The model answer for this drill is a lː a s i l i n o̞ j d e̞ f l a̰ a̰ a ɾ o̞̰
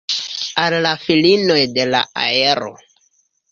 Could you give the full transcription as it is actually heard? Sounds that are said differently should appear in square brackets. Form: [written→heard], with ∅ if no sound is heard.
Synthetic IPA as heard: a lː a [s→f] i l i n o̞ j d e̞ [f→∅] l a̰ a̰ [a→e] ɾ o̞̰